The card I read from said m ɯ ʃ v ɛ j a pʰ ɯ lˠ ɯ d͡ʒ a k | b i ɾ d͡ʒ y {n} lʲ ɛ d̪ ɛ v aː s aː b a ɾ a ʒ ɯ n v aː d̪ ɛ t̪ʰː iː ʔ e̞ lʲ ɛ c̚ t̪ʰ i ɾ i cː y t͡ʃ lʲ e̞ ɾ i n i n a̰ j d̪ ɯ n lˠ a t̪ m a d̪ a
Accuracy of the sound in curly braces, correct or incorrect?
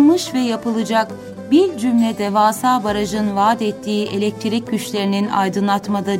incorrect